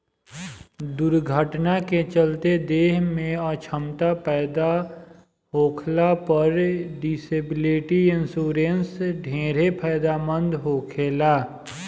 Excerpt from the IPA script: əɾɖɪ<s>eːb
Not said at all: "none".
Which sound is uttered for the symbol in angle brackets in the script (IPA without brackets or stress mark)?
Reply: s